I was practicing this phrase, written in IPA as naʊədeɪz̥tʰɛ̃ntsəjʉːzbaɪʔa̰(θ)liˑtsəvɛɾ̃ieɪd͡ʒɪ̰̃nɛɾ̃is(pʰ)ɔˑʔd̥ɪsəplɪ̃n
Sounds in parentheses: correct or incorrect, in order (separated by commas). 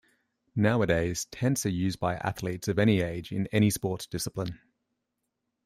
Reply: correct, incorrect